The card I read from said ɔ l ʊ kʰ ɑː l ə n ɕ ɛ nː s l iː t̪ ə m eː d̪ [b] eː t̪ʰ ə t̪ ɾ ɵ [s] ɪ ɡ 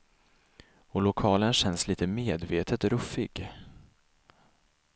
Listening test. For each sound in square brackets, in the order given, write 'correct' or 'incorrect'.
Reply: incorrect: v, incorrect: f

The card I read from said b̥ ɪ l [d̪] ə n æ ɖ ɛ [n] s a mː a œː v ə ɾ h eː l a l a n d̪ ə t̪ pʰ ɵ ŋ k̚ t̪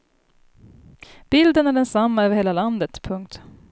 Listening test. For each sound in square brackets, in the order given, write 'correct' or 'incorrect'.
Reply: correct, correct

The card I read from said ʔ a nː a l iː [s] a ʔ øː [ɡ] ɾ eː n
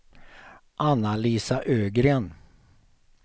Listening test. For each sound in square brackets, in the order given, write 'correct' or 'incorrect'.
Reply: correct, correct

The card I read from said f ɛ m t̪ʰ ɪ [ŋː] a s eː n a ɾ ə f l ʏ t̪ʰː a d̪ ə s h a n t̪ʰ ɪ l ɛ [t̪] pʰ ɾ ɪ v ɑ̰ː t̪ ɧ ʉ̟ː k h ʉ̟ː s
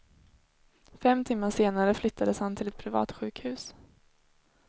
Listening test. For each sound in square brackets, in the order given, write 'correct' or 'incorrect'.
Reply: incorrect: mː, correct

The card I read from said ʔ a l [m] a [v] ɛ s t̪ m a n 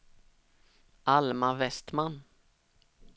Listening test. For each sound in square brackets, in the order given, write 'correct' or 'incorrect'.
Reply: correct, correct

